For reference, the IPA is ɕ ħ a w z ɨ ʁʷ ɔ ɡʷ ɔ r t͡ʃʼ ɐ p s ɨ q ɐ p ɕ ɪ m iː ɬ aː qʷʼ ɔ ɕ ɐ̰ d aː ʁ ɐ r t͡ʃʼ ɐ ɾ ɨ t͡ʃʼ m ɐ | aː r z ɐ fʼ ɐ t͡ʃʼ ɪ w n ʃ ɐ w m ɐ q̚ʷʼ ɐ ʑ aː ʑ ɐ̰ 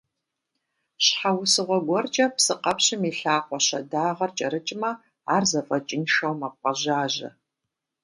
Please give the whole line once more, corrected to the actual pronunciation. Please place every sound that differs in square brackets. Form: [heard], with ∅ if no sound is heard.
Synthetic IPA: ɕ ħ a w [s] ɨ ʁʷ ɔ ɡʷ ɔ r t͡ʃʼ ɐ p s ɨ q ɐ p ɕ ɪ m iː ɬ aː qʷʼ ɔ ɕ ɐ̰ d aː ʁ ɐ r t͡ʃʼ ɐ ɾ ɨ t͡ʃʼ m ɐ | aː r z ɐ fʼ ɐ t͡ʃʼ ɪ [∅] n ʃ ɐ w m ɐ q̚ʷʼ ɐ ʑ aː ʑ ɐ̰